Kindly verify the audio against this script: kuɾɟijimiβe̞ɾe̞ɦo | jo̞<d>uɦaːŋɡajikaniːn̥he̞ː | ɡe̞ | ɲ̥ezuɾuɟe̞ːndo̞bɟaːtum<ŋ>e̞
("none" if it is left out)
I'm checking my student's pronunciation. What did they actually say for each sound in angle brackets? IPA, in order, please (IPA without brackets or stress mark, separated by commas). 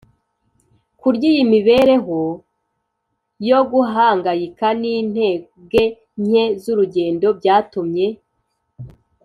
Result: ɡ, ɲ